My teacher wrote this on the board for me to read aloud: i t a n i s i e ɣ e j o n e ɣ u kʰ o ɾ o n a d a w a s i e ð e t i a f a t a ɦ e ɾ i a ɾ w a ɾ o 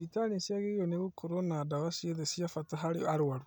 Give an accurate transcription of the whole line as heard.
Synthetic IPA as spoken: i t a n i s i a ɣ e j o n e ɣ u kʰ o ɾ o n a d a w a s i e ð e s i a f a t a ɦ a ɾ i a ɾ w a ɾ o